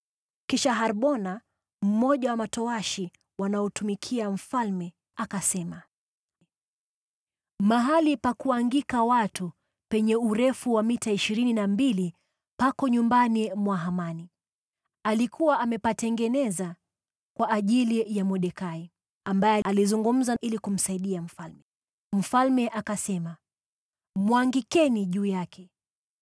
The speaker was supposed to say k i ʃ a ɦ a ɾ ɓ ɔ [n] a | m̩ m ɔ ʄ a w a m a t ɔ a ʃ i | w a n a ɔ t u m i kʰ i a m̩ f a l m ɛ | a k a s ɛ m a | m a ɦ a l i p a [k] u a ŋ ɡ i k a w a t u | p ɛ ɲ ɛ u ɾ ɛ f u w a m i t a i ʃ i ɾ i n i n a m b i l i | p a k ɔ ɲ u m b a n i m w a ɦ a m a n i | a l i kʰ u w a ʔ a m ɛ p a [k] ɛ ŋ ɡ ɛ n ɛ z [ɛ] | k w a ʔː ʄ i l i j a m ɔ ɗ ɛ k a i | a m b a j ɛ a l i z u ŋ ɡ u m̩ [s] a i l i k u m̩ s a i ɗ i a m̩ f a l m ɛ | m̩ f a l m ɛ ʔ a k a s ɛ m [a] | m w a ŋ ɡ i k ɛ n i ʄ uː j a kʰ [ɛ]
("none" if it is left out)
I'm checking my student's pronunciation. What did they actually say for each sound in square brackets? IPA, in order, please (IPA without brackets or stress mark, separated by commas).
n, k, t, a, z, a, ɛ